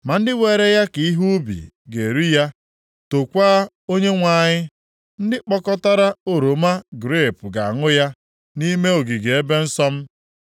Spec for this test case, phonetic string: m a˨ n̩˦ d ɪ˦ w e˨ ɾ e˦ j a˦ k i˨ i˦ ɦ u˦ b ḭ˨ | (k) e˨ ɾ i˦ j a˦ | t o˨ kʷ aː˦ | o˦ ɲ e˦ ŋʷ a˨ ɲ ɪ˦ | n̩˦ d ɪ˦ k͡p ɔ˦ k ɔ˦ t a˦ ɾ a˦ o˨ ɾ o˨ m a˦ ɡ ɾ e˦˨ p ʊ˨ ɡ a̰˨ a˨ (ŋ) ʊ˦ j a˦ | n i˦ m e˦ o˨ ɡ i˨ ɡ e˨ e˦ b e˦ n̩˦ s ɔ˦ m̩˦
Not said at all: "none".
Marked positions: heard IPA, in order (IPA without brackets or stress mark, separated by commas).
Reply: ɡ, ŋ